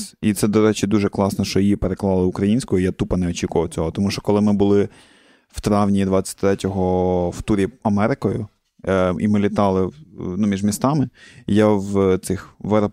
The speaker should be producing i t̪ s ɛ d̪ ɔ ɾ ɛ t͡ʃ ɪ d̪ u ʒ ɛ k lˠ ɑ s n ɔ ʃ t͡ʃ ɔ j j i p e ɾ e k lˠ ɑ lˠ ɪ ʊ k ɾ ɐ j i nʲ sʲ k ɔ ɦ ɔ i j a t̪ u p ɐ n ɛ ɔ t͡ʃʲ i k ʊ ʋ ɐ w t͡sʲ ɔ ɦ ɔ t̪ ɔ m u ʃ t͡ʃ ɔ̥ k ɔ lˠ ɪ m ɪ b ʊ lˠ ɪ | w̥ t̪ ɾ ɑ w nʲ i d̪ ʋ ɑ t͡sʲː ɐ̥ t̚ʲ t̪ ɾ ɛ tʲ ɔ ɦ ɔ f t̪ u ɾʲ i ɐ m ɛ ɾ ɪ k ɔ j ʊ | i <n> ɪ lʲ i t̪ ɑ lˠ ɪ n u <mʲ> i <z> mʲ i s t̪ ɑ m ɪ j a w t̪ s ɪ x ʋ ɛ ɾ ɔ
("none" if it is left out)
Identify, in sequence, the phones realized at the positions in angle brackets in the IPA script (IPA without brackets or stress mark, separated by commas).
m, mʲ, ʒ